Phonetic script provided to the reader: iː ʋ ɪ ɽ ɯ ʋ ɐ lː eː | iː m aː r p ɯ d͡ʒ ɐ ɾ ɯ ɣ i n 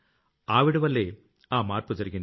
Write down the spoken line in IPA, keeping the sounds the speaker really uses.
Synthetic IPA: aː ʋ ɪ ɽ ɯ ʋ ɐ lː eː | aː m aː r p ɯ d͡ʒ ɐ ɾ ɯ ɣ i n

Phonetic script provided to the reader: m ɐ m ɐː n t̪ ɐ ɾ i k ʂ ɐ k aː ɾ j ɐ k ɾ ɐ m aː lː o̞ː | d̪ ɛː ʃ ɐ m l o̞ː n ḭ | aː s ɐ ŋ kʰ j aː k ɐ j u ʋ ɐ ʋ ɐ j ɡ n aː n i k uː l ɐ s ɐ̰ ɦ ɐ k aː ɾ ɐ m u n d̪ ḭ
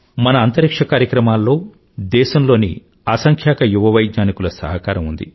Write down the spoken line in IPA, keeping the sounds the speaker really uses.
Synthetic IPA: m ɐ n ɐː n t̪ ɐ ɾ i k ʂ ɐ k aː ɾ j ɐ k ɾ ɐ m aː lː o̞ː | d̪ ɛː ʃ ɐ m l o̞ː n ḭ | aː s ɐ ŋ kʰ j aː k ɐ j u ʋ ɐ ʋ ɐ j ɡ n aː n i k u l ɐ s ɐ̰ ɦ ɐ k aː ɾ ɐ m u n d̪ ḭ

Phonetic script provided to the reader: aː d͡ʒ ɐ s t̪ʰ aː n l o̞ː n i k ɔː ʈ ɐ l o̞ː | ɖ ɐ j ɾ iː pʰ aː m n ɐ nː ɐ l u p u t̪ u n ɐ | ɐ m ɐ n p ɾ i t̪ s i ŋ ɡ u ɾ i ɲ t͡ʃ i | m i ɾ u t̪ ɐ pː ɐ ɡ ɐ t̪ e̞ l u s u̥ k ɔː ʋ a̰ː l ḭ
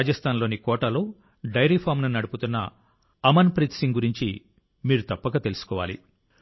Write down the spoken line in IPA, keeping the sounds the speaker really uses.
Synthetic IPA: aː d͡ʒ ɐ s t̪ʰ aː n l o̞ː n i k ɔː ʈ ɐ l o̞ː | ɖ ɐ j ɾ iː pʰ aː m n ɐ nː ɐ ɽ u p u t̪ u nː ɐ | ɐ m ɐ n p ɾ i t̪ s i ŋ ɡ u ɾ i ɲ t͡ʃ i | m iː ɾ u t̪ ɐ pː ɐ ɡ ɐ t̪ e̞ l u s u̥ k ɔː ʋ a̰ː l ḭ

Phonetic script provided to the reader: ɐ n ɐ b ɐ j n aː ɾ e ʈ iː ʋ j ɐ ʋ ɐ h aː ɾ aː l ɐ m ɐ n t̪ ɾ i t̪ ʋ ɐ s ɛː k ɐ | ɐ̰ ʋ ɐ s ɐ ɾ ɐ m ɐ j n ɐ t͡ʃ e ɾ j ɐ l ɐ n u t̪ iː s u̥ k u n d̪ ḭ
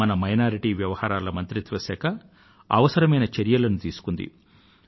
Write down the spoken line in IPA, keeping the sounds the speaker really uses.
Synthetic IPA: ɐ n ɐ m ɐ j n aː ɾ i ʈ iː ʋ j ɐ ʋ ɐ h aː ɾ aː l ɐ m ɐ n t̪ ɾ i t̪ ʋ ɐ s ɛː k ɐ | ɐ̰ ʋ ɐ s ɐ ɾ ɐ m ɐ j n ɐ t͡ʃ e ɾ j ɐ l ɐ n u t̪ iː s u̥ k u n d̪ ḭ

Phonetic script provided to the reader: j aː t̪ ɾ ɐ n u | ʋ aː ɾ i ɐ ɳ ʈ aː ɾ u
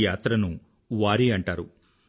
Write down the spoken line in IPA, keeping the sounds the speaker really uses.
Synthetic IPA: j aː t̪ ɾ ɐ n u | ʋ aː ɾ i ɐ ɳ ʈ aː ɾ u

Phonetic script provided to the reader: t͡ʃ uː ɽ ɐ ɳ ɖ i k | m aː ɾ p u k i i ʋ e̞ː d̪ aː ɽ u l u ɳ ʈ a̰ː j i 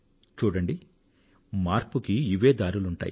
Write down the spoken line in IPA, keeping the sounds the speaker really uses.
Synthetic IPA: t͡ʃ uː ɽ ɐ ɳ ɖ i | m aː ɾ p u k i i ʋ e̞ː d̪ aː ɾ u l u ɳ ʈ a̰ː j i

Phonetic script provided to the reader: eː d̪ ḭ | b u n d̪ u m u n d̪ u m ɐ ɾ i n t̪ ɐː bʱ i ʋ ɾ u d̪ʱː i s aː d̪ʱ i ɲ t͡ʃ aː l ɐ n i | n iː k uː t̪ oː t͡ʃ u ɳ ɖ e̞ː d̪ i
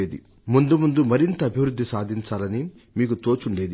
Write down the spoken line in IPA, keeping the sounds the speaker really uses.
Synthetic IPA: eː d̪ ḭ | m u n d̪ u m u n d̪ u m ɐ ɾ i n t̪ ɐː bʱ i ʋ ɾ u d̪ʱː i s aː d̪ʱ i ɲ t͡ʃ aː l ɐ n i | m iː k u t̪ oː t͡ʃ u ɳ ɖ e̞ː d̪ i

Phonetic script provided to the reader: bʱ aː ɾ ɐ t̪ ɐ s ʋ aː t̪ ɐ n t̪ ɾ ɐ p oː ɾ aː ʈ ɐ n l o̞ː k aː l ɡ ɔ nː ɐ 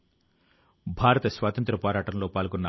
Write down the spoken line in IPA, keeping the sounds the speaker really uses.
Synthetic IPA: bʱ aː ɾ ɐ t̪ ɐ s ʋ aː t̪ ɐ n t̪ ɾ ɐ p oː ɾ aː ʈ ɐ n l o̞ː p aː l ɡ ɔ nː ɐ

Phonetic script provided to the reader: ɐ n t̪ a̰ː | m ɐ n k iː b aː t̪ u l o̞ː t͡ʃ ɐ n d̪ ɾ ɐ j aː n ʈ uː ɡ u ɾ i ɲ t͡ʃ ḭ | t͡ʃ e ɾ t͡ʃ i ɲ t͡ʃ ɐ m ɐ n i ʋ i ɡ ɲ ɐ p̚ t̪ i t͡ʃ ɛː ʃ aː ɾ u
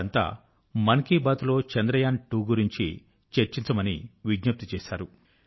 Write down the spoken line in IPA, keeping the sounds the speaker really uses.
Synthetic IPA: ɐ n t̪ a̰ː | m ɐ n k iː b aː t̪ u l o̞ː t͡ʃ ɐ n d̪ ɾ ɐ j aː n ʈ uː ɡ u ɾ i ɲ t͡ʃ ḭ | t͡ʃ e ɾ t͡ʃ i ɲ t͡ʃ ɐ m ɐ n i ʋ i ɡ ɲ ɐ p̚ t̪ i t͡ʃ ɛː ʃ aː ɾ u

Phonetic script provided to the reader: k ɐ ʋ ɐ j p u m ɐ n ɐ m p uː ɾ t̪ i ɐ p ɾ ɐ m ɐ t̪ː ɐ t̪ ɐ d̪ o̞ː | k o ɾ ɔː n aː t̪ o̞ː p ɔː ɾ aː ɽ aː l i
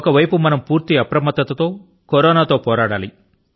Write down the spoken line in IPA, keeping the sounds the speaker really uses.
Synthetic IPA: k ɐ ʋ ɐ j p u m ɐ n ɐ m p uː ɾ t̪ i ɐ p ɾ ɐ m ɐ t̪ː ɐ t̪ ɐ t̪ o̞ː | k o ɾ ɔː n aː t̪ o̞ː p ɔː ɾ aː ɽ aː l i

